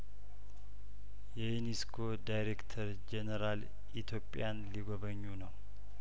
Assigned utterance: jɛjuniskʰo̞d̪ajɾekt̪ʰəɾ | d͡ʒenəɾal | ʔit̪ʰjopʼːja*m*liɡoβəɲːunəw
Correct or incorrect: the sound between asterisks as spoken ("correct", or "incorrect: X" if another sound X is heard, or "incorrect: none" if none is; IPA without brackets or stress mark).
incorrect: n